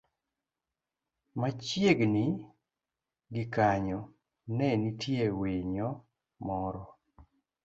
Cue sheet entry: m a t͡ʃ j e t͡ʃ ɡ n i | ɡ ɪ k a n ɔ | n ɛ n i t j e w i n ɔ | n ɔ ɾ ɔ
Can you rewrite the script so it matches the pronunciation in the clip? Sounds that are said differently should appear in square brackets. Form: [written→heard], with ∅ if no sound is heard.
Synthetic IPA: m a t͡ʃ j e [t͡ʃ→∅] ɡ n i | ɡ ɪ k a [n→ɲ] ɔ | n ɛ n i t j e w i [n→ɲ] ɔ | [n→m] ɔ ɾ ɔ